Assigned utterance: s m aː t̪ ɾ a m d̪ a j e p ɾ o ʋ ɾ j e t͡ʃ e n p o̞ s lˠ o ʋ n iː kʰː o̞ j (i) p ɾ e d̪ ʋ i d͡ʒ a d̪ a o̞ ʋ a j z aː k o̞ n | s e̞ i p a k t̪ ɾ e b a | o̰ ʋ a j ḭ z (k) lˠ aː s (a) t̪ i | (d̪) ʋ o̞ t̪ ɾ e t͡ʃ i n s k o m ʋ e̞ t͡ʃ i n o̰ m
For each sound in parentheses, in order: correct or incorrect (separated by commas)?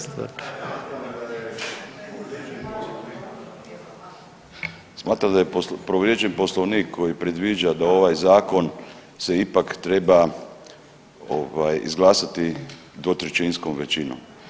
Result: correct, incorrect, correct, correct